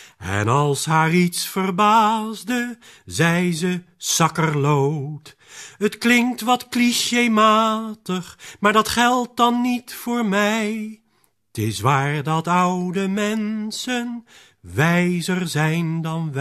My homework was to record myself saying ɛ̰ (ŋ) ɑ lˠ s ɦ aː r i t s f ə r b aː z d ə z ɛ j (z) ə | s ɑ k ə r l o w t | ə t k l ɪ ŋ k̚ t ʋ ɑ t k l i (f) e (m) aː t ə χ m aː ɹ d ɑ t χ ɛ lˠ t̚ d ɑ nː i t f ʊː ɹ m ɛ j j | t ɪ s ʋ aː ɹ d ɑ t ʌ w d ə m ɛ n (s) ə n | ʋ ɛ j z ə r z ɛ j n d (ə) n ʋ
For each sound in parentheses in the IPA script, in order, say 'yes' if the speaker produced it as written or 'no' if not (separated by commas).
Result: no, yes, no, yes, yes, no